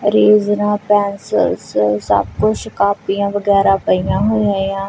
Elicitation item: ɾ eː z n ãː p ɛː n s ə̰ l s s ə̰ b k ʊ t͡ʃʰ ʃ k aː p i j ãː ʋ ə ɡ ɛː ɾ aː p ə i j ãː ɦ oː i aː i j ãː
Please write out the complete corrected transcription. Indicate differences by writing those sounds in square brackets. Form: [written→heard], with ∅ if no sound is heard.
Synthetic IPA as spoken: ɾ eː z n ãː p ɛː n s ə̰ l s s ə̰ b k ʊ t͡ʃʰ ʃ k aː p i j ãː ʋ ə ɡ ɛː ɾ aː p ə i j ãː ɦ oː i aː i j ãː

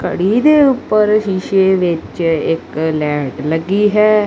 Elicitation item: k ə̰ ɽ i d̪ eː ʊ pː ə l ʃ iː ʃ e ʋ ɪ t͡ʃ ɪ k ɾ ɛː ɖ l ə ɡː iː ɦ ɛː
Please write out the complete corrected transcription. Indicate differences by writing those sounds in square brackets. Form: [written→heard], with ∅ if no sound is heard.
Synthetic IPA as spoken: k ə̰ ɽ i d̪ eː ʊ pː ə [l→ɾ] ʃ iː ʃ e ʋ ɪ t͡ʃ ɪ k [ɾ→l] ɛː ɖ l ə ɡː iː ɦ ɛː

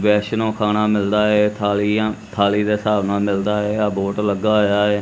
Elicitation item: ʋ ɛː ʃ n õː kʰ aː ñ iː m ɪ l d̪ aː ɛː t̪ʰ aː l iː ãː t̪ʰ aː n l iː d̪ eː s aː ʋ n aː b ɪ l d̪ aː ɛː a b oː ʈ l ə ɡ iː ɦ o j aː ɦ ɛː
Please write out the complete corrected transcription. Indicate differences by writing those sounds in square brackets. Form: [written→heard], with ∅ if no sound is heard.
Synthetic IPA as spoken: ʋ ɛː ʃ n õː kʰ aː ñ [iː→aː] m ɪ l d̪ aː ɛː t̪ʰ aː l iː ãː t̪ʰ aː [n→∅] l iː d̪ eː s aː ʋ n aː [b→m] ɪ l d̪ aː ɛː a b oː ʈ l ə ɡ [iː→aː] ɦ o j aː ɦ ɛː

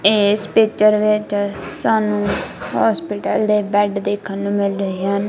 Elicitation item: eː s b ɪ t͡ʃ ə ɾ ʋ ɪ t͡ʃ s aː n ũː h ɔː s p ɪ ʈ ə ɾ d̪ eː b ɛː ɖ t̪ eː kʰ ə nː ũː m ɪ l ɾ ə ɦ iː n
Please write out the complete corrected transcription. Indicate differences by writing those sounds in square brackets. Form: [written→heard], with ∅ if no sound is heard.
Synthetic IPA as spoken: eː s [b→p] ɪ t͡ʃ ə ɾ ʋ ɪ t͡ʃ s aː n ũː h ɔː s p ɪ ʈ ə [ɾ→l] d̪ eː b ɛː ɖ [t̪→d̪] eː kʰ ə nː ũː m ɪ l ɾ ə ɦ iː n

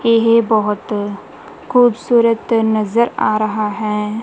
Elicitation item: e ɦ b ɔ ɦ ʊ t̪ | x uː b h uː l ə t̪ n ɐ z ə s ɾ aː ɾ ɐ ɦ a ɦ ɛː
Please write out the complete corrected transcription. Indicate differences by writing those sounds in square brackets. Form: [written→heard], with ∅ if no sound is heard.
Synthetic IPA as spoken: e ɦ b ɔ ɦ ʊ t̪ | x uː b [h→s] uː [l→ɾ] ə t̪ n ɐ z ə [s→∅] ɾ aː ɾ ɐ ɦ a ɦ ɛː

